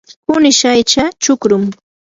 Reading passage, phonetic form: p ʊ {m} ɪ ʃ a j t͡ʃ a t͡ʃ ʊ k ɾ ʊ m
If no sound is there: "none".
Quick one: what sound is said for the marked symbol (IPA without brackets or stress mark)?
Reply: n